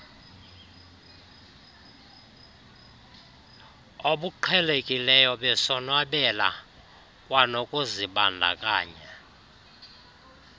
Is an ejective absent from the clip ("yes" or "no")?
no